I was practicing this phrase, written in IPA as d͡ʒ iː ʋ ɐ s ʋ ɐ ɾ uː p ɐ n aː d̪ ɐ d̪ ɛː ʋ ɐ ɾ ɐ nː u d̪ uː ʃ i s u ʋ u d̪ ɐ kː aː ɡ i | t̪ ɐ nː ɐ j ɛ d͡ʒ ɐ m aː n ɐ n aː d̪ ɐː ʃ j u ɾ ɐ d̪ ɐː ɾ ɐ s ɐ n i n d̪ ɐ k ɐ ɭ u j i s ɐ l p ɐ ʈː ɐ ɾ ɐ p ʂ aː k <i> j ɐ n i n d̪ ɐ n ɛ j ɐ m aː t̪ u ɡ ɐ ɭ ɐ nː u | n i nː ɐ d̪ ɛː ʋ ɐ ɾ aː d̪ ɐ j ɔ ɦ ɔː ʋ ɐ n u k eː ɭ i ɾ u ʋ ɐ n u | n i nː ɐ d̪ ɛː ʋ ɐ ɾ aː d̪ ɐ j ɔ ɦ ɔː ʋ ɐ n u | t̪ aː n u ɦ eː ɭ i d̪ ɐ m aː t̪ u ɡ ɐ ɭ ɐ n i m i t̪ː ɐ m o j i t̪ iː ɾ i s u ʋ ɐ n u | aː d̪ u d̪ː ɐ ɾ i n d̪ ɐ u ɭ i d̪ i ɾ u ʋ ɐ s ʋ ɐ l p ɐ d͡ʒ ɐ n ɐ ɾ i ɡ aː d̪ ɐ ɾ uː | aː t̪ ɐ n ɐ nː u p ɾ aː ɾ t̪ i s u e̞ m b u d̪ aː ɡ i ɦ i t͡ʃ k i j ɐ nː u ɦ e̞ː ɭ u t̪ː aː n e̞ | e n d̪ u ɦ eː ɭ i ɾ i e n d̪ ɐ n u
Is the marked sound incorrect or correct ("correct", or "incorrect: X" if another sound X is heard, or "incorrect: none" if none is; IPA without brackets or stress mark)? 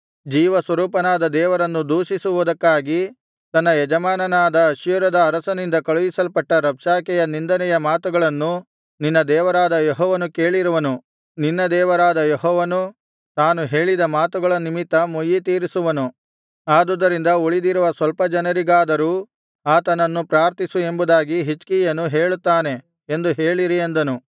incorrect: ɛ